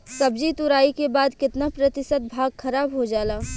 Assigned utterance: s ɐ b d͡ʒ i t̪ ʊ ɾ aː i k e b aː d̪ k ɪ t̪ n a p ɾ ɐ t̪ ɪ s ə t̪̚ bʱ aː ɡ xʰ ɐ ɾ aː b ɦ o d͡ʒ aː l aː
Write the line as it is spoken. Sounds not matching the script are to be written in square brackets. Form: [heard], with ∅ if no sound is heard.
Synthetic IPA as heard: s ɐ b d͡ʒ i t̪ ʊ ɾ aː i k e b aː d̪ k ɪ t̪ n a p ɾ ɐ t̪ ɪ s ə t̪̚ bʱ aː ɡ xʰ ɐ ɾ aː b ɦ o d͡ʒ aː l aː